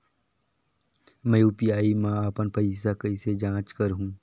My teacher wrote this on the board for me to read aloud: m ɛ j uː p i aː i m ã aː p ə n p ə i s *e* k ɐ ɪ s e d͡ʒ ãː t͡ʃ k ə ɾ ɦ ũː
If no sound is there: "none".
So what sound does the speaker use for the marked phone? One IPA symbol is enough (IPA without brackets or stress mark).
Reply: a